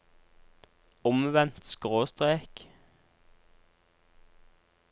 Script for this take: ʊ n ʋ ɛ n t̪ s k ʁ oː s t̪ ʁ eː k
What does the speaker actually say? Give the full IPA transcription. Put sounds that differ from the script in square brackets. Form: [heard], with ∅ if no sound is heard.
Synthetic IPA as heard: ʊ [m] ʋ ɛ n t̪ s k ʁ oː s t̪ ʁ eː k